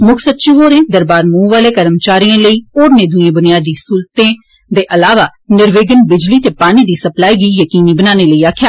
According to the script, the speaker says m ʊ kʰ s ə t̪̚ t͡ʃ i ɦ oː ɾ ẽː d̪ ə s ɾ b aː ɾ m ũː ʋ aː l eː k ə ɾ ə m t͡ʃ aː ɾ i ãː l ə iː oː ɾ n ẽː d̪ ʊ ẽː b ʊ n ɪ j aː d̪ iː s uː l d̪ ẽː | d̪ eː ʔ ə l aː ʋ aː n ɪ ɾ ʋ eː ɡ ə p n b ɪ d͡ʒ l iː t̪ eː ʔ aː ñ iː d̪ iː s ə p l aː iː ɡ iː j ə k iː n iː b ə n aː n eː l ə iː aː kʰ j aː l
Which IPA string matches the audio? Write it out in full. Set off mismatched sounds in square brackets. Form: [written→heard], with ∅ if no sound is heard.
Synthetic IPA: m ʊ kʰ s ə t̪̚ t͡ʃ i ɦ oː ɾ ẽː d̪ ə [s→∅] ɾ b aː ɾ m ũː ʋ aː l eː k ə ɾ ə m t͡ʃ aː ɾ i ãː l ə iː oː ɾ n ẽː d̪ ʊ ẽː b ʊ n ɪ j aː d̪ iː s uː l [d̪→t̪] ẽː | d̪ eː ʔ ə l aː ʋ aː n ɪ ɾ ʋ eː ɡ ə [p→∅] n b ɪ d͡ʒ l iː t̪ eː [ʔ→p] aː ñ iː d̪ iː s ə p l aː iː ɡ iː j ə k iː n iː b ə n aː n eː l ə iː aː kʰ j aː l